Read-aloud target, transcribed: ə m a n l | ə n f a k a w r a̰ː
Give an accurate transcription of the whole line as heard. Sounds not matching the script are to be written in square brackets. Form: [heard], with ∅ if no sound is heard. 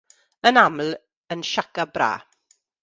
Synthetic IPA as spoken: ə [n] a [m] l | ə n [ʃ] a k a [b] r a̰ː